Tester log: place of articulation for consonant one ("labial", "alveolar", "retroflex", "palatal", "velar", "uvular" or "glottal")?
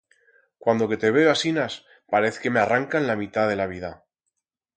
velar